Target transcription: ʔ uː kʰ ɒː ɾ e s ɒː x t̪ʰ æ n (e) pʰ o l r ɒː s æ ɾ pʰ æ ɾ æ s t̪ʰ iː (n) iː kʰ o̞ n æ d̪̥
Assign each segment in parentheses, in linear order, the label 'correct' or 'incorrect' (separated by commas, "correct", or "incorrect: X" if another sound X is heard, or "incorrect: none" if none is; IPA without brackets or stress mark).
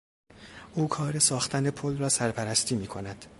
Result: correct, incorrect: m